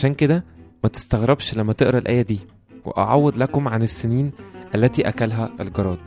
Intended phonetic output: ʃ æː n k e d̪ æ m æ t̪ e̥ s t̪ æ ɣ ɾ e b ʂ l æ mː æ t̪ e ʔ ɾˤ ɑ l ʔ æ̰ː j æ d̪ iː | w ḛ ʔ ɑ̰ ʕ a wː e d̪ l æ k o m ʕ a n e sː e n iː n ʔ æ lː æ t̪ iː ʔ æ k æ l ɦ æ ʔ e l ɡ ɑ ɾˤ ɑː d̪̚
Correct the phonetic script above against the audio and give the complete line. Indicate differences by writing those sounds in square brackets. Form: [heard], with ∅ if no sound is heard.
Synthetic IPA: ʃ æː n k e d̪ æ m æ t̪ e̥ s t̪ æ ɣ ɾ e b [ʃ] l æ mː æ t̪ e ʔ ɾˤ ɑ l ʔ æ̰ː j æ d̪ iː | w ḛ ʔ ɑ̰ ʕ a wː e d̪ l æ k o m ʕ a n e sː e n iː n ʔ æ lː æ t̪ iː ʔ æ k æ l ɦ æ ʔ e l ɡ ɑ ɾˤ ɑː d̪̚